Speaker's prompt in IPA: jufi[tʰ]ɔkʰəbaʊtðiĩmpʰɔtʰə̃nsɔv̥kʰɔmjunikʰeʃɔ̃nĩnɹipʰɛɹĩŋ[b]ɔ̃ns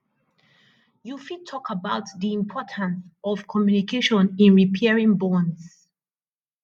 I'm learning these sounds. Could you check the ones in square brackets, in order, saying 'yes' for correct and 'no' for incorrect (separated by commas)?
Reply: yes, yes